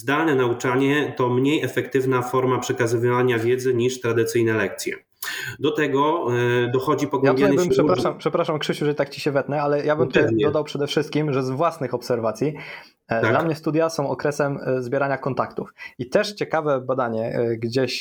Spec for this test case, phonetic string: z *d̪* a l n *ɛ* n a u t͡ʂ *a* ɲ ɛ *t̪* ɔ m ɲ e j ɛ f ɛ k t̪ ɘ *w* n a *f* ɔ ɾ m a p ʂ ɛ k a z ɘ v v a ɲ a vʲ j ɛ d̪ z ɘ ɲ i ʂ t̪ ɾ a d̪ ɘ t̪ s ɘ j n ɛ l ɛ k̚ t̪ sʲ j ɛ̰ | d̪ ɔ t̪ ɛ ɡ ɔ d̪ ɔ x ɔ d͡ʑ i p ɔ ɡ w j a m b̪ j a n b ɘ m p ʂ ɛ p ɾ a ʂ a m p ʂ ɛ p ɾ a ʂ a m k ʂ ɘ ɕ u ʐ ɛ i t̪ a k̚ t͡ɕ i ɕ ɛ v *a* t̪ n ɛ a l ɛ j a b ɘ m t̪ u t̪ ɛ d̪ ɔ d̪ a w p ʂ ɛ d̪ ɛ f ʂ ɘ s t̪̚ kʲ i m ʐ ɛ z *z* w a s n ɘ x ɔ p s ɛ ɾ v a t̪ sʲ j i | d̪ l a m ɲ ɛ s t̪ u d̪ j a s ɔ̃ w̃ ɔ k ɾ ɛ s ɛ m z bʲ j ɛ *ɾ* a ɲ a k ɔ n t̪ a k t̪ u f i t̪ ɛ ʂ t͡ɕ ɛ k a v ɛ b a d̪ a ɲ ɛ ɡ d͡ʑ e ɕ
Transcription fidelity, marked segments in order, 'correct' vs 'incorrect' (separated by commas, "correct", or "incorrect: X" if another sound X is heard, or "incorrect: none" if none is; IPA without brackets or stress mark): correct, correct, correct, correct, incorrect: v, correct, incorrect: ɛ, incorrect: v, correct